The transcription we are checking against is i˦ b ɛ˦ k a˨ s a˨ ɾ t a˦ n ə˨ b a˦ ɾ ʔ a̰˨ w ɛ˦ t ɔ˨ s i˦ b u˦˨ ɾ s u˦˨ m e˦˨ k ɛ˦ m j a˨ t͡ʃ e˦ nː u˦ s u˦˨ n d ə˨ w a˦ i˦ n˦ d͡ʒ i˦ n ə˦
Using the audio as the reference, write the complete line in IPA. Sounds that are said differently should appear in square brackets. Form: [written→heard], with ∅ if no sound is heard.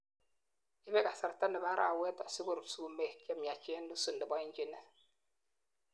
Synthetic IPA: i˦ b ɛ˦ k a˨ s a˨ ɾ t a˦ n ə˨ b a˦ ɾ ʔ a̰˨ w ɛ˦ t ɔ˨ s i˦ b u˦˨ ɾ s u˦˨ m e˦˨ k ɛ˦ m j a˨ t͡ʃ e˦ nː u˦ s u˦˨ n d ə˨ [w→b] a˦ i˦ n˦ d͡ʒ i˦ n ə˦